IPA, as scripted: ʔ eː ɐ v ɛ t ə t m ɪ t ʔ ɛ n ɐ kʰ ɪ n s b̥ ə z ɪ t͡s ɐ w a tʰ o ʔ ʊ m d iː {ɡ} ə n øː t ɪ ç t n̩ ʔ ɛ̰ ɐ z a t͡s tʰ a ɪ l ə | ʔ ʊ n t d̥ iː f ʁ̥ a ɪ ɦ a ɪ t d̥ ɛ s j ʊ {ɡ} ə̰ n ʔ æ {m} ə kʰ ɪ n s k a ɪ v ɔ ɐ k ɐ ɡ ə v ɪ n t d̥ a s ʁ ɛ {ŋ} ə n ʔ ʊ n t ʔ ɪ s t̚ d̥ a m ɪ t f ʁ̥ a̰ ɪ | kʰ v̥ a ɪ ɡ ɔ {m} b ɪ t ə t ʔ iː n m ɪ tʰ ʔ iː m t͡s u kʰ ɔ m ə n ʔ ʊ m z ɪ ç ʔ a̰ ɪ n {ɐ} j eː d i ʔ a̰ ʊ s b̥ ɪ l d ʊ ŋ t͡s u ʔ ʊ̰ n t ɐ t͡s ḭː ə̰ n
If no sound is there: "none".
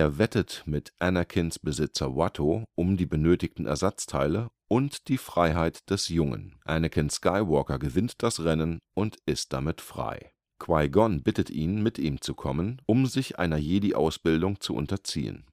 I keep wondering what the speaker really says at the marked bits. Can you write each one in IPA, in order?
b, ŋ, n, n, n, ɐ

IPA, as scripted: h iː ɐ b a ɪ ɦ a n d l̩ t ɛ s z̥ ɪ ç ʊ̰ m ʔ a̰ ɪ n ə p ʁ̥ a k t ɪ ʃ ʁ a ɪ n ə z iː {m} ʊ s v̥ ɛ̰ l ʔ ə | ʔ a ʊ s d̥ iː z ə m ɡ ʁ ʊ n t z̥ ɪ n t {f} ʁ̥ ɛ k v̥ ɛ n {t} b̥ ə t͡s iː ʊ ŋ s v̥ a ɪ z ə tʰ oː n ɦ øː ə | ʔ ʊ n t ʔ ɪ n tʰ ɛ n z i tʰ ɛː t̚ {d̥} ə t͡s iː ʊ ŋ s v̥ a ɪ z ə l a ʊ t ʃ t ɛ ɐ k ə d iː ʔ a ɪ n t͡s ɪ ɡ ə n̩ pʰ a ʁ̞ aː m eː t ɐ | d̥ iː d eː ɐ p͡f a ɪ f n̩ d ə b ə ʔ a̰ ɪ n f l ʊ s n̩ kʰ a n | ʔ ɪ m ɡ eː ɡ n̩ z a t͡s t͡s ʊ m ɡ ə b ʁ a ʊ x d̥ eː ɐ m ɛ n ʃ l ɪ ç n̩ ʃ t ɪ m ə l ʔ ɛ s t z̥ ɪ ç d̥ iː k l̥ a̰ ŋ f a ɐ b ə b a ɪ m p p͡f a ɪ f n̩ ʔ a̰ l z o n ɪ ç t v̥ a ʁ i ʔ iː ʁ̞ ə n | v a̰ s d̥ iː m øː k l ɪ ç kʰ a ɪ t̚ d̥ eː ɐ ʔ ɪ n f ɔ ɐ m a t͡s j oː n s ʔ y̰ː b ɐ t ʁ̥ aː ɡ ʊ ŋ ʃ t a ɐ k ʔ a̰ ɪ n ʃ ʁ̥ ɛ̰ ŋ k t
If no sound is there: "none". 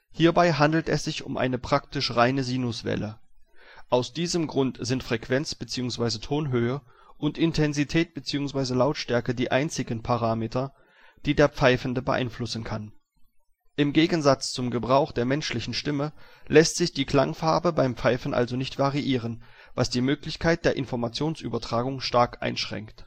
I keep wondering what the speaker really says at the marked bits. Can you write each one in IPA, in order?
n, f, t͡s, b̥

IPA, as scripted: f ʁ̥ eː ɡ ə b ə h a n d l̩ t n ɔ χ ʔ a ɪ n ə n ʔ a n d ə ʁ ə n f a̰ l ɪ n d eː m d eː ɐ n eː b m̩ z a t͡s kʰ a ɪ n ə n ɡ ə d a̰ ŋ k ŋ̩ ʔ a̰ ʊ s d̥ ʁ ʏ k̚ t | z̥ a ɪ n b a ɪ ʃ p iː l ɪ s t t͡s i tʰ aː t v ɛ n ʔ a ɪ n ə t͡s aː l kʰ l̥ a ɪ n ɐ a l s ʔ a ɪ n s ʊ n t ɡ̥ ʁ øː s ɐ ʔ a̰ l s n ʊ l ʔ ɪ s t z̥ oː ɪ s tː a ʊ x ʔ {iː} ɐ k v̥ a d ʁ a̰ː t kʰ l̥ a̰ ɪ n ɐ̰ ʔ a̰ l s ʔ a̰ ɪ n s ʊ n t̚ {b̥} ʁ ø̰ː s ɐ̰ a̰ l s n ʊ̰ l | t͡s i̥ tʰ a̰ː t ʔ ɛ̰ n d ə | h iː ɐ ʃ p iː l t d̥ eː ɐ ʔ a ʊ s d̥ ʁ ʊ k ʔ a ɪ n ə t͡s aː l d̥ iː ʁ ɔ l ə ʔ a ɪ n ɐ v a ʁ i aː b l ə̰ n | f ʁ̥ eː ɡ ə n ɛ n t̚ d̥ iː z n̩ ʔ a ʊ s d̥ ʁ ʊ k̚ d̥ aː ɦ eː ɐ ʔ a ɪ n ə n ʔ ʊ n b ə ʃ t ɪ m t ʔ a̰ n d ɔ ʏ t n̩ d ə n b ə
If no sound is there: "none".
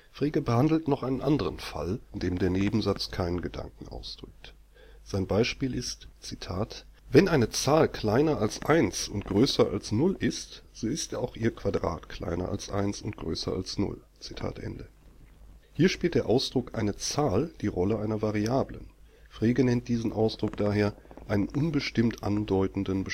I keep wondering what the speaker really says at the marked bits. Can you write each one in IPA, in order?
iː, ɡ̥

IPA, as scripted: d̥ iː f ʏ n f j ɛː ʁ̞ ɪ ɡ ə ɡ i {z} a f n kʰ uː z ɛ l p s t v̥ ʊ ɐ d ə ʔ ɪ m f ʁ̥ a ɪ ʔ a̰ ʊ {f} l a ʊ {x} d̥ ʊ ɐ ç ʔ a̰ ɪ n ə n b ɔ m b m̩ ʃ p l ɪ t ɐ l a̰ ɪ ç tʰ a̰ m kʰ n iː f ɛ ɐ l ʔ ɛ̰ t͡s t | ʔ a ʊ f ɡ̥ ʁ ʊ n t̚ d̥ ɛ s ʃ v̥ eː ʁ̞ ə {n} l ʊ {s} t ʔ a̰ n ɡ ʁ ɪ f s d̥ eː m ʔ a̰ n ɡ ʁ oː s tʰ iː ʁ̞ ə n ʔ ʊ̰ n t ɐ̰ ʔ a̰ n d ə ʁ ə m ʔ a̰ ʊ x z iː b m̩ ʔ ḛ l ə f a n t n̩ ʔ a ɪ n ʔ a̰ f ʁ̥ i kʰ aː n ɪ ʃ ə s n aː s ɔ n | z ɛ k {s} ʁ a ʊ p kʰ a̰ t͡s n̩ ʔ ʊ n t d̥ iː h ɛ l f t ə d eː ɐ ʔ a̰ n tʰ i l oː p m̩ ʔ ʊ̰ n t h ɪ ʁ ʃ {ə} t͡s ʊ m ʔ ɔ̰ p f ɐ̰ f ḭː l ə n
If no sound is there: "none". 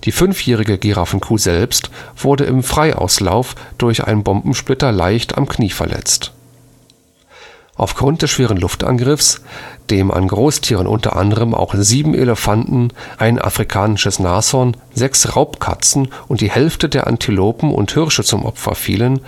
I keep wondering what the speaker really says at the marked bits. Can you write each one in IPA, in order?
ʁ, s, f, n, f, s, ə

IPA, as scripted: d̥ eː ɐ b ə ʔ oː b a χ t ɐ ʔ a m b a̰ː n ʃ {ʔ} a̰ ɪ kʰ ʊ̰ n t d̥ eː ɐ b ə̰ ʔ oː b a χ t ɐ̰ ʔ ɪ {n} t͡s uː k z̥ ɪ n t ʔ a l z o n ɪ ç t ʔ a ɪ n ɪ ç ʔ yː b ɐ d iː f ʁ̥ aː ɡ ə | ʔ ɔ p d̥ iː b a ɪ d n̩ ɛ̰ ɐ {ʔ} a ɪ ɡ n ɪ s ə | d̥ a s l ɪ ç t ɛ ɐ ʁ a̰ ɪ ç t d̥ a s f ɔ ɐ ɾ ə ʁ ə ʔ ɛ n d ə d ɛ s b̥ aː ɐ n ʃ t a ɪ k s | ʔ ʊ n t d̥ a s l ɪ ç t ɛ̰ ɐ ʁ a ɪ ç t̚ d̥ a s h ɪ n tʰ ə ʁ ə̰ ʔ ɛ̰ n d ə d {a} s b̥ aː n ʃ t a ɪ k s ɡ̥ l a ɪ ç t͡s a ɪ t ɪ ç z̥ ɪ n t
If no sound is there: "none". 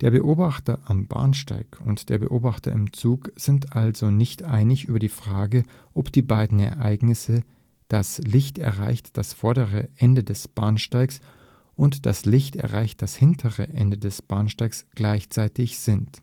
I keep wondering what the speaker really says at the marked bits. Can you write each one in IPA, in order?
t, m, ʔ, ɛ

